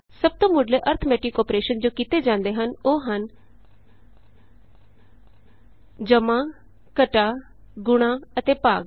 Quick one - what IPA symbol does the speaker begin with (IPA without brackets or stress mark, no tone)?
s